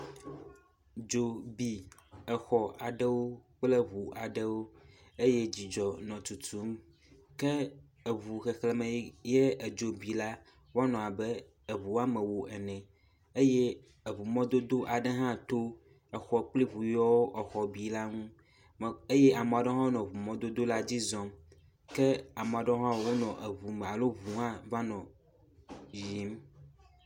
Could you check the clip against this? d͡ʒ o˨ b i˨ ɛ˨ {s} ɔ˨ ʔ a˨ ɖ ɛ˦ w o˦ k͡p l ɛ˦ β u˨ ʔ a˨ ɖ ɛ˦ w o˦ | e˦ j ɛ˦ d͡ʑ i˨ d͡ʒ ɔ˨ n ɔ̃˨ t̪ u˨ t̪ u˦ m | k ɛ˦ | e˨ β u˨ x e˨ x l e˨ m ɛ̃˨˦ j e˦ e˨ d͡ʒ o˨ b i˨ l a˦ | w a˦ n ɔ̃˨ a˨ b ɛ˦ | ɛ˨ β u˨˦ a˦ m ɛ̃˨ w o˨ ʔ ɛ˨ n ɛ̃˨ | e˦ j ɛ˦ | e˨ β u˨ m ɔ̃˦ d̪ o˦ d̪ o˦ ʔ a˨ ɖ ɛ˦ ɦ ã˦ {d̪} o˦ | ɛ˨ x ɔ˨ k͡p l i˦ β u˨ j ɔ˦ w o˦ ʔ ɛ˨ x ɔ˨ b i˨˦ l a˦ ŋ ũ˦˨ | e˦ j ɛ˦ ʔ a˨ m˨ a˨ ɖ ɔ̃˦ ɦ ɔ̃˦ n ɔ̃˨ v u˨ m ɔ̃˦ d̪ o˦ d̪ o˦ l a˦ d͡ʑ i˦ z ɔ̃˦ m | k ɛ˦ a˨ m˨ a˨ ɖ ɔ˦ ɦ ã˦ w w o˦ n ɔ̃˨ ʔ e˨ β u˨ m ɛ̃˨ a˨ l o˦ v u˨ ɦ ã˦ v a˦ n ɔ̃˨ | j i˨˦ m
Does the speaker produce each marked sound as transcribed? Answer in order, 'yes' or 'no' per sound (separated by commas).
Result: no, no